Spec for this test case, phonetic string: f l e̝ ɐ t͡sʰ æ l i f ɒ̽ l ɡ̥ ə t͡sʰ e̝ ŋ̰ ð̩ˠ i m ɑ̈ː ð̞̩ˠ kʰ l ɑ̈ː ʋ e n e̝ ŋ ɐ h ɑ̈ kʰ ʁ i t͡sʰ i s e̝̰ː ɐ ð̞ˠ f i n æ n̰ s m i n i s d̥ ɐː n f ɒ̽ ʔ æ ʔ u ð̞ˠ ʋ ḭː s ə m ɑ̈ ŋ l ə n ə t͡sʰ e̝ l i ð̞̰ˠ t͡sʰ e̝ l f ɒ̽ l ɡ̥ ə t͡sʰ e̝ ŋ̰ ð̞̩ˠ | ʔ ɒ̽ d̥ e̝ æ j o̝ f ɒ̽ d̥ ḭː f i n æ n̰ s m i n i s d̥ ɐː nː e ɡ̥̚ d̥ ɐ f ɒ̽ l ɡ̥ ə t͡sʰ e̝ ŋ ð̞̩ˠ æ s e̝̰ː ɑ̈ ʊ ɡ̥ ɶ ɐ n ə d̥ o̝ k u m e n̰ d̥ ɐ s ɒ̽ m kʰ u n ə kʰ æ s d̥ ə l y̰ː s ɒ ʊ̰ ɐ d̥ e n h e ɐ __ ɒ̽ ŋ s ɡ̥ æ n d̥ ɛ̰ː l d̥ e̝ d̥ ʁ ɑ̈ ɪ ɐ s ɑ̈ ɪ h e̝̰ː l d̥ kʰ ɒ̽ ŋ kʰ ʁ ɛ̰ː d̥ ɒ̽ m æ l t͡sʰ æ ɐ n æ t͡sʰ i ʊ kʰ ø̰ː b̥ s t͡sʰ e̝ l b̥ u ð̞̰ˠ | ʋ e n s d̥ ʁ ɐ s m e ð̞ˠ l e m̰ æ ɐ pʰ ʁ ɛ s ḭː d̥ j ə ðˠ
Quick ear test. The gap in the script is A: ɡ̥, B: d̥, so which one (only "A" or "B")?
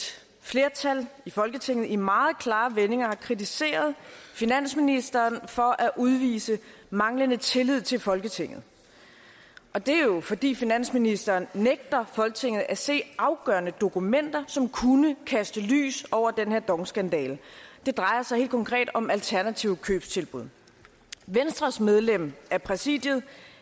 B